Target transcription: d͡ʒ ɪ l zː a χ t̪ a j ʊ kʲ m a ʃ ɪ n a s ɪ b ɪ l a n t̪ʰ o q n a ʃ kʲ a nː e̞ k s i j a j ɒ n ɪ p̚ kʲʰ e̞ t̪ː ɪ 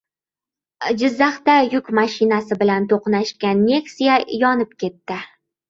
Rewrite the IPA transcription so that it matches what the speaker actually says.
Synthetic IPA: d͡ʒ ɪ zː a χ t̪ a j ʊ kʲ m a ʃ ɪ n a s ɪ b ɪ l a n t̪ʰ o q n a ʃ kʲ a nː e̞ k s i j a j ɒ n ɪ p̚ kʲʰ e̞ t̪ː ɪ